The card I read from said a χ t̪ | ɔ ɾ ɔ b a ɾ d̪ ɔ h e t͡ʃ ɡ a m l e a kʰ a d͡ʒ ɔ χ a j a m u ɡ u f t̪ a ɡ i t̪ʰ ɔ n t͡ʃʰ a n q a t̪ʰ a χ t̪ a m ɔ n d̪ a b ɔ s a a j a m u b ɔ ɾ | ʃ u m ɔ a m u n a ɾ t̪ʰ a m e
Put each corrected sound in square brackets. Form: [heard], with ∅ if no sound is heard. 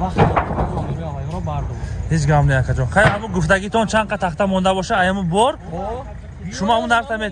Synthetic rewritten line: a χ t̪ | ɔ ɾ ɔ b a ɾ d̪ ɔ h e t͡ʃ ɡ a m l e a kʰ a d͡ʒ ɔ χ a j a m u ɡ u f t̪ a ɡ i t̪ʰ ɔ n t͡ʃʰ a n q a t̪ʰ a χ t̪ a m ɔ n d̪ a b ɔ [ʃ] a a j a m u b ɔ ɾ | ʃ u m ɔ a m u n a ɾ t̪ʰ a m e